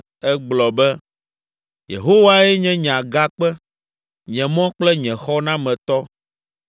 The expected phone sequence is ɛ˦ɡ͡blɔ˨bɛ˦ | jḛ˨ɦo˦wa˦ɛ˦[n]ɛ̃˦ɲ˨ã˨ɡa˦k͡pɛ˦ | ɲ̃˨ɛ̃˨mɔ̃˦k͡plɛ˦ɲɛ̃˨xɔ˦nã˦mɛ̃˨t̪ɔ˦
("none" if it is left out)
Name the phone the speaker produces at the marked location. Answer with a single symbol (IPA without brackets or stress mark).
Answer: ɲ